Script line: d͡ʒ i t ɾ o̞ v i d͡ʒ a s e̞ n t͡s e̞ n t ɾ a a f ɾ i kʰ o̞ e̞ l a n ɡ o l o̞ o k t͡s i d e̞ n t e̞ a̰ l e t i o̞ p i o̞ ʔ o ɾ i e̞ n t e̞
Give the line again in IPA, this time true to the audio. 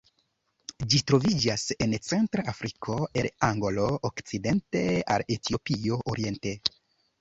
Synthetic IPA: d͡ʒ i t ɾ o̞ v i d͡ʒ a s e̞ n t͡s e̞ n t ɾ a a f ɾ i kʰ o̞ e̞ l a ŋ ɡ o l o̞ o k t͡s i d e̞ n t e̞ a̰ l e t i o̞ p i o̞ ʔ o ɾ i e̞ n t e̞